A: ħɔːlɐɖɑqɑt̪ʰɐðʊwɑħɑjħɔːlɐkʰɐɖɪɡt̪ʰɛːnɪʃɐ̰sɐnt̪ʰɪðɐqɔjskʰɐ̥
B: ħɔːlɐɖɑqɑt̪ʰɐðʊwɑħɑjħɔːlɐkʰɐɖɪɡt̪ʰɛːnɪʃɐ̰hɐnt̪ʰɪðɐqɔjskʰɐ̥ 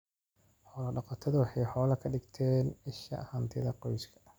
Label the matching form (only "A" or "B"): B